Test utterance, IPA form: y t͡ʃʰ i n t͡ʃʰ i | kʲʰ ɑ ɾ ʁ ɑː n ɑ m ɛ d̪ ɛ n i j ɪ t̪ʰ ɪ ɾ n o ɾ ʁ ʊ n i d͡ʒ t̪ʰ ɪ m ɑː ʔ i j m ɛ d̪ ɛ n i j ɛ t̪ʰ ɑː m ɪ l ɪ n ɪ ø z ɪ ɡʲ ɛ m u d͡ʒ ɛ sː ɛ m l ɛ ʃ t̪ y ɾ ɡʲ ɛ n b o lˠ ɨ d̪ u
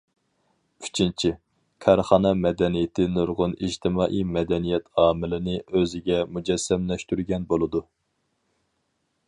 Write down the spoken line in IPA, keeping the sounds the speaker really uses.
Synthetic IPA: y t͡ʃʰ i n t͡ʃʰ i | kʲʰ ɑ ɾ χ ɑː n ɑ m ɛ d̪ ɛ n i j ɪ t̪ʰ ɪ n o ɾ ʁ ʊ n i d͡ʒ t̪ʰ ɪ m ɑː ʔ i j m ɛ d̪ ɛ n i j ɛ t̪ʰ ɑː m ɪ l ɪ n ɪ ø z ɪ ɡʲ ɛ m u d͡ʒ ɛ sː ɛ m l ɛ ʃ t̪ y ɾ ɡʲ ɛ n b o lˠ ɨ d̪ u